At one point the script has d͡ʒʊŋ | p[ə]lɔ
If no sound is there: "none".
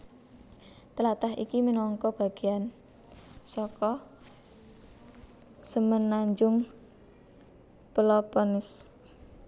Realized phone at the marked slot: ə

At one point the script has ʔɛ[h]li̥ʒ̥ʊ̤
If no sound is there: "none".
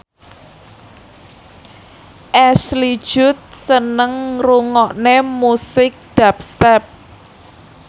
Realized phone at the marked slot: s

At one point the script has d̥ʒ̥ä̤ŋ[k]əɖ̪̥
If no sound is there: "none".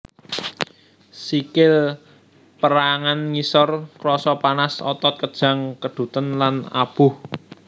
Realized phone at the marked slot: k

